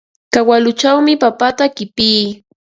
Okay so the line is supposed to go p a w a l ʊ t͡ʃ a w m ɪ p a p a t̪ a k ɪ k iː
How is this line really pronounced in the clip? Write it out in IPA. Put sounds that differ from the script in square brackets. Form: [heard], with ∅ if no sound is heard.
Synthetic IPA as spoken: [k] a w a l ʊ t͡ʃ a w m ɪ p a p a t̪ a k ɪ [p] iː